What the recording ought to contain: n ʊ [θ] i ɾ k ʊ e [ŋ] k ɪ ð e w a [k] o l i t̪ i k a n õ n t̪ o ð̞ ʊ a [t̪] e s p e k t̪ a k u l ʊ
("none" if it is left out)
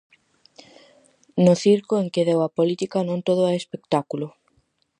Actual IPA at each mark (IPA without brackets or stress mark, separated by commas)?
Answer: θ, ŋ, p, none